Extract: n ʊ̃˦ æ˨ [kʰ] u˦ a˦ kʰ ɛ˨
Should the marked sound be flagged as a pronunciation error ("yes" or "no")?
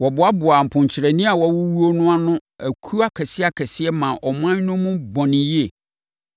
no